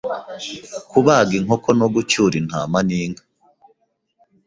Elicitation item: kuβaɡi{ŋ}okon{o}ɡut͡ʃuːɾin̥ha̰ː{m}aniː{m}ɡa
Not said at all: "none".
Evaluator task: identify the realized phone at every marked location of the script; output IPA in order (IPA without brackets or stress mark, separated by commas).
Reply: ŋ, o, m, ŋ